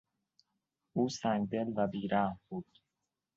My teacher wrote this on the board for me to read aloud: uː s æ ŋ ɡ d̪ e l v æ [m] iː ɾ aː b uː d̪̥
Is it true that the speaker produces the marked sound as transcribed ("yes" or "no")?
no